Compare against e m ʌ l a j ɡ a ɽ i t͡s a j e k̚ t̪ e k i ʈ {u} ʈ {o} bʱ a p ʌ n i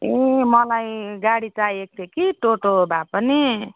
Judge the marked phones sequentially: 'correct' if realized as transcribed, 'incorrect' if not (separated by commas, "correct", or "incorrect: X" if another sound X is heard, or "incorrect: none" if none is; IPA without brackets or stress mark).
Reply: incorrect: o, correct